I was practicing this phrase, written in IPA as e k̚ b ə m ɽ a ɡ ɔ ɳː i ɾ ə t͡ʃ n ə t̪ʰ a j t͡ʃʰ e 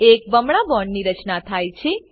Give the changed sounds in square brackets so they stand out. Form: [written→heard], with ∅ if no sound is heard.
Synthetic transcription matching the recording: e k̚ b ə m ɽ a [ɡ→b] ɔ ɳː i ɾ ə t͡ʃ n [ə→a] t̪ʰ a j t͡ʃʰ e